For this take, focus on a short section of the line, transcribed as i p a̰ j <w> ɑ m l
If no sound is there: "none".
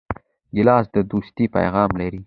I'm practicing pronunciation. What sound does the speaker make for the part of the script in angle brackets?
ɣ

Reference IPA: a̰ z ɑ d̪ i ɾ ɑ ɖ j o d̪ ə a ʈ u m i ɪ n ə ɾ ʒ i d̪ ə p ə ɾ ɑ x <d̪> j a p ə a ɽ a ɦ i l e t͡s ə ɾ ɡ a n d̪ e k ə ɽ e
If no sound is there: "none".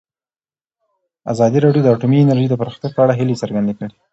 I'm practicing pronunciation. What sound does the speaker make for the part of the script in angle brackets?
t̪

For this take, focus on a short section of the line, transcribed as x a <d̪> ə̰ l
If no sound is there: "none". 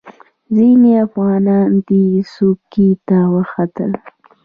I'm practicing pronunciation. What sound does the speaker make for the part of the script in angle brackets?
t̪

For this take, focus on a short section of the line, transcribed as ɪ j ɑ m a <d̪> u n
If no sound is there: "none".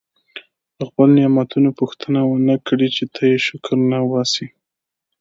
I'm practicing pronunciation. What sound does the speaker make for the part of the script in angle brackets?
t̪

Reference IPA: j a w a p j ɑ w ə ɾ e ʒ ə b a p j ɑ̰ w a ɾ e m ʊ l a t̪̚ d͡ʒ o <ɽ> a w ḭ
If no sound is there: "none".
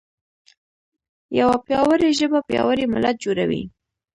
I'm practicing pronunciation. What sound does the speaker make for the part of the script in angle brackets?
ɾ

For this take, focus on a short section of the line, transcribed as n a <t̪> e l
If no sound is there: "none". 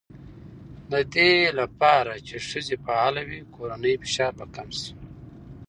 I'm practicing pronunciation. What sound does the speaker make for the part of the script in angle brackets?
d̪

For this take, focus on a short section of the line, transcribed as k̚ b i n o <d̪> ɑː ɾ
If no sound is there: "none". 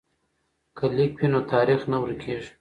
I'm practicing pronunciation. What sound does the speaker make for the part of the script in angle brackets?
t̪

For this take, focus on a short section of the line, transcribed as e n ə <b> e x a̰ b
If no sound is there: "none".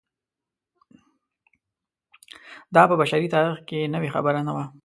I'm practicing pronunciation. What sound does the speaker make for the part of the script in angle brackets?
w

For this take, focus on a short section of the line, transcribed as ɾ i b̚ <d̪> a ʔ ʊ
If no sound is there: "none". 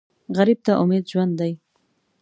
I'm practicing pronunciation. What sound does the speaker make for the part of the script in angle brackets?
t̪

